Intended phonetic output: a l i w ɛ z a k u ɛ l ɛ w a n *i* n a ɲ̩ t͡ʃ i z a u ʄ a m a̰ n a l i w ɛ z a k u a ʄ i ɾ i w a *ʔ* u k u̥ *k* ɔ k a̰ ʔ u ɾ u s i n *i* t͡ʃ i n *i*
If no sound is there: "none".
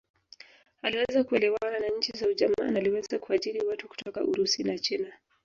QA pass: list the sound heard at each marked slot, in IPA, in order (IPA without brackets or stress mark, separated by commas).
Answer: a, t, t, a, a